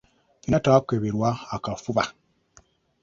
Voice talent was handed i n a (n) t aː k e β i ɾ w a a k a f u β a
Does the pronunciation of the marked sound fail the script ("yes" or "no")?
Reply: yes